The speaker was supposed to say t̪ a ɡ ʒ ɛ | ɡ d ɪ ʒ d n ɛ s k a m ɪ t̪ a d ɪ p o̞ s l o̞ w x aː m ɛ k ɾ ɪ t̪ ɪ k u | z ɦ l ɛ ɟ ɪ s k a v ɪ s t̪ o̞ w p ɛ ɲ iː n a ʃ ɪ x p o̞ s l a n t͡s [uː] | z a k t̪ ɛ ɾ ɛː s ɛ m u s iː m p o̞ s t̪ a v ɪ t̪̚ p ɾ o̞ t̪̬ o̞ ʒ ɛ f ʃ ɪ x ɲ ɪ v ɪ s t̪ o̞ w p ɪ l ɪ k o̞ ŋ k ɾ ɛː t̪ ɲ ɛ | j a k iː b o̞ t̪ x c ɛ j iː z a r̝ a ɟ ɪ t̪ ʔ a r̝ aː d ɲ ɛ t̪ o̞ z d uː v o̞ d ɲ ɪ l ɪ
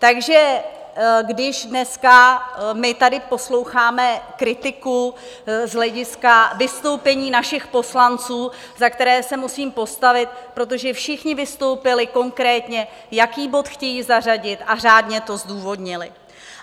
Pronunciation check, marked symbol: correct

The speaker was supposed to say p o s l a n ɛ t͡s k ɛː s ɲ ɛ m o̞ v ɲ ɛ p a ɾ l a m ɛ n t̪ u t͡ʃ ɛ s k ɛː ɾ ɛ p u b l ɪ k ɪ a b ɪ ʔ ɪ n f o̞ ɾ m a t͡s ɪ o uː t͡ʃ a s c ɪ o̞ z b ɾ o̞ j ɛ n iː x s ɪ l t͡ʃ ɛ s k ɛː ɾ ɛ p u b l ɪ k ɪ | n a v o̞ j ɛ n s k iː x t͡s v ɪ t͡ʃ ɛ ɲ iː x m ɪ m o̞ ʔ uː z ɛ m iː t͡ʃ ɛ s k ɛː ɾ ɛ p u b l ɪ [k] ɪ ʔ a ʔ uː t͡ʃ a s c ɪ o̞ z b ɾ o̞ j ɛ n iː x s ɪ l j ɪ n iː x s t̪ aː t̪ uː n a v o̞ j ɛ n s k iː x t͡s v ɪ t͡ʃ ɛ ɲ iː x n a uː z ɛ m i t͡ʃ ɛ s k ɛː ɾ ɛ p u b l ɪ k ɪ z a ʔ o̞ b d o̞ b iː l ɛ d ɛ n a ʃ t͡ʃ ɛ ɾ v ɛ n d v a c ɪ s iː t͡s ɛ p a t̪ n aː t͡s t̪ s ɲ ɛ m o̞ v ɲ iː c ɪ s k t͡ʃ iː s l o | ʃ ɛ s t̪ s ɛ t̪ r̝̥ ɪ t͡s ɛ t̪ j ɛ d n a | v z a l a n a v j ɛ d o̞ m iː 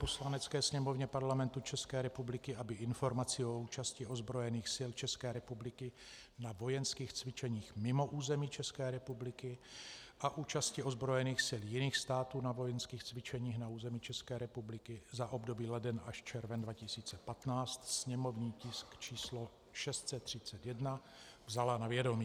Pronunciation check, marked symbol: correct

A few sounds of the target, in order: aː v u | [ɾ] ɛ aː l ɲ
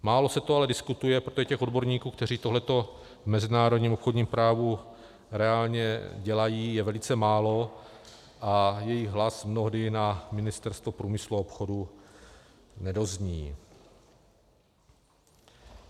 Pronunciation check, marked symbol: correct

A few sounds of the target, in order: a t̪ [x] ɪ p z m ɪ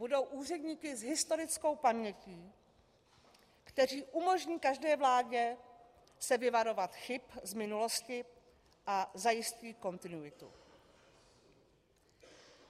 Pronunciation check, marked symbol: correct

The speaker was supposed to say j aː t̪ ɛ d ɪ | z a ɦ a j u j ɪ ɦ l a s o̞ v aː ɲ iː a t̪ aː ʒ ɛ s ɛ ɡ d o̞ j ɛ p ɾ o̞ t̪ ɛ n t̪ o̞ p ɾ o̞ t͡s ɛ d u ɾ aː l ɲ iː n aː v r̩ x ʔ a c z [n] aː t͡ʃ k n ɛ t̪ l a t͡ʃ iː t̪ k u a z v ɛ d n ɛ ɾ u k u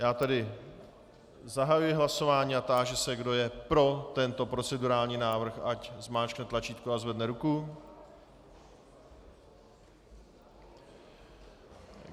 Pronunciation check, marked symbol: incorrect: m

